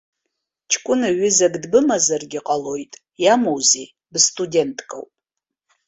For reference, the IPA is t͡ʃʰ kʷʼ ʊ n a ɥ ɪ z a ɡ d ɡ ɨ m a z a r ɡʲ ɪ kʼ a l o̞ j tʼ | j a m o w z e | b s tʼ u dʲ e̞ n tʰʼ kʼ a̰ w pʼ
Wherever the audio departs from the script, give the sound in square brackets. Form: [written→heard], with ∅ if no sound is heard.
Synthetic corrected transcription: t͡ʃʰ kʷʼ ʊ n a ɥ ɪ z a ɡ d [ɡ→b] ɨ m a z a r ɡʲ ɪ [kʼ→qʼ] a l o̞ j tʼ | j a m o w z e | b s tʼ u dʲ e̞ n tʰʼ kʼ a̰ w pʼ

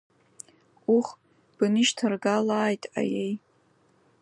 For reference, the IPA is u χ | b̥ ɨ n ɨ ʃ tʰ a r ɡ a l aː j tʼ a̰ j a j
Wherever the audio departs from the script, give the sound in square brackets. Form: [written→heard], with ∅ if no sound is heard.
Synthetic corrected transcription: u χ | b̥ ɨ n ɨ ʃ tʰ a r ɡ a l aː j tʼ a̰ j [a→e] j

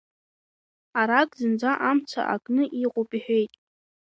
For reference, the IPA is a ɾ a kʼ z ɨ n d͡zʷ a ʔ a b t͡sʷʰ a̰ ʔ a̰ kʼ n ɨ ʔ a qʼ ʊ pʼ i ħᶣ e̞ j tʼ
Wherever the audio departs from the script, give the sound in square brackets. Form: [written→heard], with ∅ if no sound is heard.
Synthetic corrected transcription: a ɾ a kʼ z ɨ n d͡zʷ a ʔ a [b→m] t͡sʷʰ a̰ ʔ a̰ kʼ n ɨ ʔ [a→i] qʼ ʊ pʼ i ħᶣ e̞ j tʼ

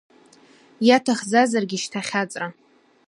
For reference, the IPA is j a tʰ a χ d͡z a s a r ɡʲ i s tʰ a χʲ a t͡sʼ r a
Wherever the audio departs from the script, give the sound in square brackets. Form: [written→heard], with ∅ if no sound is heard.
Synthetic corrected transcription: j a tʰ a χ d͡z a [s→z] a r ɡʲ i [s→ʃ] tʰ a χʲ a t͡sʼ r a

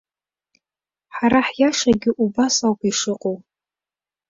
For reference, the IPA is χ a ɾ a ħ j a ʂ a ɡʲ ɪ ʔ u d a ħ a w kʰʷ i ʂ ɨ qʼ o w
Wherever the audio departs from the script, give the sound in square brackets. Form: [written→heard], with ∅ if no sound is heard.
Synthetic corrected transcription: [χ→ħ] a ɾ a ħ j a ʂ a ɡʲ ɪ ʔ u [d→b] a [ħ→s] a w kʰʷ i ʂ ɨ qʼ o w

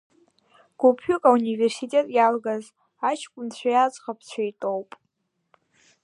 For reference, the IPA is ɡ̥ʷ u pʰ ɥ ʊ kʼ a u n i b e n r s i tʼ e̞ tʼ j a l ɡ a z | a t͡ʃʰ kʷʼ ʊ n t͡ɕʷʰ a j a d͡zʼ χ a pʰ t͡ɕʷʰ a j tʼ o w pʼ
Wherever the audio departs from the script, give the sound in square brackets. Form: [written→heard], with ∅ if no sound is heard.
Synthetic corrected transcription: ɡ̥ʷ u pʰ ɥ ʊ kʼ a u n i [b→v] e [n→∅] r s i tʼ e̞ tʼ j a l ɡ a z | a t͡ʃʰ kʷʼ ʊ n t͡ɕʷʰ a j a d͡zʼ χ a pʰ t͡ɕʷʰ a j tʼ o w pʼ

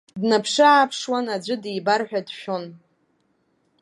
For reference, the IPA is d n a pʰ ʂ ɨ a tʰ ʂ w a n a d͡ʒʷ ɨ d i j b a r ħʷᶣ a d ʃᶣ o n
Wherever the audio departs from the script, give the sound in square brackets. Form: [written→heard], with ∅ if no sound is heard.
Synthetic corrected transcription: d n a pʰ ʂ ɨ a [tʰ→pʰ] ʂ w a n a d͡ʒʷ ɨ d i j b a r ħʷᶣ a d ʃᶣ o n

